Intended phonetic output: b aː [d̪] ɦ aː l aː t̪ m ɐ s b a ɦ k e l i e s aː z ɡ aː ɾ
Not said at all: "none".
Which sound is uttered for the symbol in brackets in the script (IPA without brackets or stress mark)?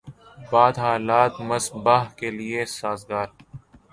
d̪